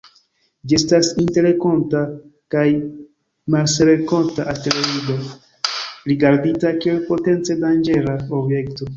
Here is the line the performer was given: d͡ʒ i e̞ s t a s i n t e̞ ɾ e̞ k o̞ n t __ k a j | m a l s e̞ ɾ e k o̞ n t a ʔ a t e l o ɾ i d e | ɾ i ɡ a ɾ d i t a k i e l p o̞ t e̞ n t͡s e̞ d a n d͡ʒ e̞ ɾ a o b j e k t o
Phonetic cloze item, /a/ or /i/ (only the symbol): a